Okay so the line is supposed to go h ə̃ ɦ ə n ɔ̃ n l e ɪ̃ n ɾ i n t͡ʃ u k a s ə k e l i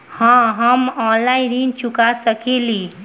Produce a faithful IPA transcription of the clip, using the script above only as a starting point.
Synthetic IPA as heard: h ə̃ ɦ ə m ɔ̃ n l a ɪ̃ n ɾ i n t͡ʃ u k a s ə k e l i